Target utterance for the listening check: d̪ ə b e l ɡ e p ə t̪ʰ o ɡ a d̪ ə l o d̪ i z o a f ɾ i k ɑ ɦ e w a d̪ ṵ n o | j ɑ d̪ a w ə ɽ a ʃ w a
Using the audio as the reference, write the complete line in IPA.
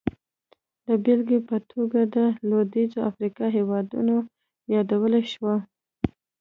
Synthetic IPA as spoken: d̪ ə b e l ɡ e p ə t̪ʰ o ɡ a d̪ ə l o d̪ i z o a f ɾ i k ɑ ɦ e w ɑ d̪ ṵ n o | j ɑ d̪ a w ə l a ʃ w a